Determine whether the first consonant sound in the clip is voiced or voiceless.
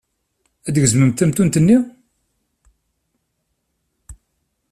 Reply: voiced